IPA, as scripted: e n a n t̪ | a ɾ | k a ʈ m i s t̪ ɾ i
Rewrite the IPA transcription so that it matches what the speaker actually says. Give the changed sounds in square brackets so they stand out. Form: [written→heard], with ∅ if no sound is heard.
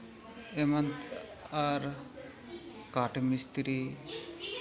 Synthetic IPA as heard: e [n→m] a n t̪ | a ɾ | k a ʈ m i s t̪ ɾ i

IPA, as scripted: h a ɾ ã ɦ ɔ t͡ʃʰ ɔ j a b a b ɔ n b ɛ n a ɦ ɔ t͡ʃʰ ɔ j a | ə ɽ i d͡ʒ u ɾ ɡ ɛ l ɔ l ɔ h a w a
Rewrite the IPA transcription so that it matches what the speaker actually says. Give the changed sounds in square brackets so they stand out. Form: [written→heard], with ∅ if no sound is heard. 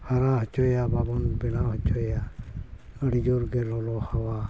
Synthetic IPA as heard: h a ɾ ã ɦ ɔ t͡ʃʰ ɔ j a b a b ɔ n b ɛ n a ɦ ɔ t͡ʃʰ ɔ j a | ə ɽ i d͡ʒ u ɾ ɡ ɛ l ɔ l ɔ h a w a

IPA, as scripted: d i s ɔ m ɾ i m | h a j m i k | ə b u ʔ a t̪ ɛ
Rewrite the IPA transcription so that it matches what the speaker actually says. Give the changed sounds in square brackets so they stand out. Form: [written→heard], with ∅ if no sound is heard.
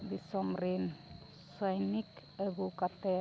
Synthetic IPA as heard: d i s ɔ m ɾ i [m→n] | [h→s] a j [m→n] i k | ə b u [ʔ→k] a t̪ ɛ

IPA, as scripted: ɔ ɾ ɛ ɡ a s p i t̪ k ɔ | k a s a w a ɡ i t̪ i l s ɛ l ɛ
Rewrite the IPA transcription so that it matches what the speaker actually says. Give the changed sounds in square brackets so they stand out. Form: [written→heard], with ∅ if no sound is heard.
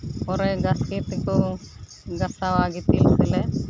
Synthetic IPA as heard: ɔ ɾ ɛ ɡ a s [p→k] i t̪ k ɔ | [k→ɡ] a s a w a ɡ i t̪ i l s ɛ l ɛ

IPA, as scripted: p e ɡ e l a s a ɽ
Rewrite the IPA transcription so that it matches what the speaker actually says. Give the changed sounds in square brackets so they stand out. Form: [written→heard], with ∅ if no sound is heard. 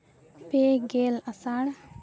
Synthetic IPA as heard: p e ɡ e l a s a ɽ

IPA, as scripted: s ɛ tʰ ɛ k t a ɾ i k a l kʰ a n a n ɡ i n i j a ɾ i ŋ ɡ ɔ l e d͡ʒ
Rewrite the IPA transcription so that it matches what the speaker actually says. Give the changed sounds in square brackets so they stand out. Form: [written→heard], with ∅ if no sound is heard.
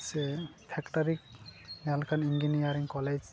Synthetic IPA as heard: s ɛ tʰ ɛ k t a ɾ i k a l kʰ a n [a→i] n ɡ i n i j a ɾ i ŋ [ɡ→k] ɔ l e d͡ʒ

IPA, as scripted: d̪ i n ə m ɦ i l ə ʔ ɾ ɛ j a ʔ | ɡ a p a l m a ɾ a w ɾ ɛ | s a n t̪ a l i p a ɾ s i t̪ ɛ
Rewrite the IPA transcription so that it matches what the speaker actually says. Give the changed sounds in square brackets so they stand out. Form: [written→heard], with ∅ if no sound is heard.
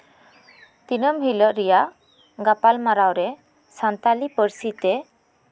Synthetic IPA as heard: [d̪→t̪] i n ə m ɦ i l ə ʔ ɾ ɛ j a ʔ | ɡ a p a l m a ɾ a w ɾ ɛ | s a n t̪ a l i p [a→ə] ɾ s i t̪ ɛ

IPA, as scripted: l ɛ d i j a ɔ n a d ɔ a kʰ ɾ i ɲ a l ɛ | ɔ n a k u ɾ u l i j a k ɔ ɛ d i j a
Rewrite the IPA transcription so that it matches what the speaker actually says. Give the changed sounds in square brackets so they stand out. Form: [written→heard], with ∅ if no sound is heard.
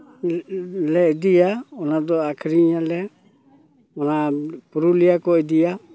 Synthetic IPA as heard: l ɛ d i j a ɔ n a d ɔ a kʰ ɾ i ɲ a l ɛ | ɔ n a [k→p] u ɾ u l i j a k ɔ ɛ d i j a

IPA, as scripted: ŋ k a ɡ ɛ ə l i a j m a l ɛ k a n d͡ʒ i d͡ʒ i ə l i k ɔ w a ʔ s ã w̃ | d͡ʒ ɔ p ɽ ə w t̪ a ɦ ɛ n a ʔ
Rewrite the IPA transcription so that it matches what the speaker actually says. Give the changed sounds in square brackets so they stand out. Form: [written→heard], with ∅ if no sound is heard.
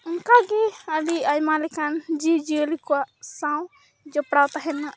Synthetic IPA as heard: ŋ k a ɡ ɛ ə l i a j m a l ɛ k a n d͡ʒ i d͡ʒ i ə l i k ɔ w a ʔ s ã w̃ | d͡ʒ ɔ p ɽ [ə→a] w t̪ a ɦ ɛ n a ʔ

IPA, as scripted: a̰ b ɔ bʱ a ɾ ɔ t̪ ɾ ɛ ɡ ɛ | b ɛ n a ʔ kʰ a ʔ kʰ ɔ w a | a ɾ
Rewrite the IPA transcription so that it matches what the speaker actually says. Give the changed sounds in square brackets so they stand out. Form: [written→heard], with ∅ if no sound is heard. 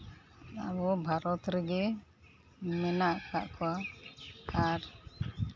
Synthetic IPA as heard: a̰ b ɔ bʱ a ɾ ɔ t̪ ɾ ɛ ɡ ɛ | [b→m] ɛ n a ʔ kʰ a ʔ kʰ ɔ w a | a ɾ

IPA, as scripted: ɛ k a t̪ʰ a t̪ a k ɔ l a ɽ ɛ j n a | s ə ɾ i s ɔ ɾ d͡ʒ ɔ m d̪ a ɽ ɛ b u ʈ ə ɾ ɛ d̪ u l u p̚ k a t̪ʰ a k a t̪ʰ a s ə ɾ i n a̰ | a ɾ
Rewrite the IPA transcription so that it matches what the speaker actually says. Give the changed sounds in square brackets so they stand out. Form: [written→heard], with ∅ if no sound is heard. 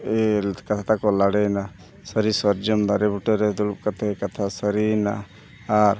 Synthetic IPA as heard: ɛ k a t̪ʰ a t̪ a k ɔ l a ɽ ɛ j n a | s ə ɾ i s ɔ ɾ d͡ʒ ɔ m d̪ a [ɽ→ɾ] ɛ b u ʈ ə ɾ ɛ d̪ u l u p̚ k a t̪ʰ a k a t̪ʰ a s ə ɾ i n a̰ | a ɾ

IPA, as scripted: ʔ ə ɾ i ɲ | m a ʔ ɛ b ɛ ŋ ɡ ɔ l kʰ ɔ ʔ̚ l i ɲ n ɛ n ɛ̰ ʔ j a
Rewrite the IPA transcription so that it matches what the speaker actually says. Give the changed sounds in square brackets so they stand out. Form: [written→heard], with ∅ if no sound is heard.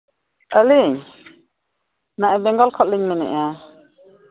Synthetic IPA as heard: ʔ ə [ɾ→l] i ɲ | [m→n] a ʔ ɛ b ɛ ŋ ɡ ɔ l kʰ ɔ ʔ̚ l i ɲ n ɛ n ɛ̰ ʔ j a

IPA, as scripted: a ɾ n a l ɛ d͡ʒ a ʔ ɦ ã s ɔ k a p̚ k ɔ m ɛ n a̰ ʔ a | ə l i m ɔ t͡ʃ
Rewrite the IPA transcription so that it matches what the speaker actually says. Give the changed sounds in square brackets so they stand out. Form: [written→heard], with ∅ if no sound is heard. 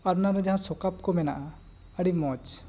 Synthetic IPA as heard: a ɾ n a [l→ɾ] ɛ d͡ʒ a [ʔ→∅] ɦ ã s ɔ k a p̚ k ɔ m ɛ n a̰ ʔ a | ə [l→ɽ] i m ɔ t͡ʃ

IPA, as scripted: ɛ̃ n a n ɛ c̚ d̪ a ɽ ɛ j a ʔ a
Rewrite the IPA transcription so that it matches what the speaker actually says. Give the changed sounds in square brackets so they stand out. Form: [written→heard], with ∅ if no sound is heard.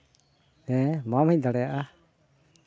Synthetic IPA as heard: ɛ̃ [n→m] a [n→m] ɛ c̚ d̪ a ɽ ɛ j a ʔ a

